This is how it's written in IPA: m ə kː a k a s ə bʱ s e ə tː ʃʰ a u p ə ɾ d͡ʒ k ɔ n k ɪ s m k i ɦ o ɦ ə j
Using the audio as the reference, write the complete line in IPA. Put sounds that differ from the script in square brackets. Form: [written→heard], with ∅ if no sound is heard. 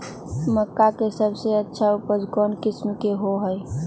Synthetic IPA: m ə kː a k [a→e] s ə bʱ s e ə tː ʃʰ a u p ə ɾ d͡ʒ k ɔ n k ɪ s m k [i→e] ɦ o ɦ ə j